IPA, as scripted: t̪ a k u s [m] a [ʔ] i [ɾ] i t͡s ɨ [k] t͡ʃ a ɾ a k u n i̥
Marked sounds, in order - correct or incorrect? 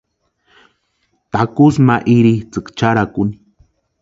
correct, correct, correct, correct

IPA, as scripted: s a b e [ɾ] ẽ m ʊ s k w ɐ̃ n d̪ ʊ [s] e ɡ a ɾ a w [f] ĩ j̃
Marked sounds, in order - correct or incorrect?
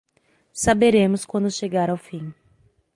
correct, incorrect: ʃ, correct

